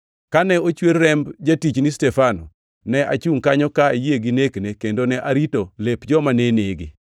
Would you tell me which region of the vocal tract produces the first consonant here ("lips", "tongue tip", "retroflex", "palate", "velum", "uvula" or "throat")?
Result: velum